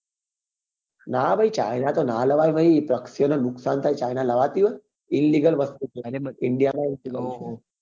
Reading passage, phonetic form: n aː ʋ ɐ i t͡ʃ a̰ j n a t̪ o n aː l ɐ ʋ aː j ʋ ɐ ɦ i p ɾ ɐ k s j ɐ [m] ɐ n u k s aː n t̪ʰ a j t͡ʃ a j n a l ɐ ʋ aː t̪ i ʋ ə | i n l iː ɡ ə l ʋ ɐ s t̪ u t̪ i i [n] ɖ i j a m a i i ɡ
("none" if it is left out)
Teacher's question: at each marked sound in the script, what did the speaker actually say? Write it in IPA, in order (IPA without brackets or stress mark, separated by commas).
n, ɳ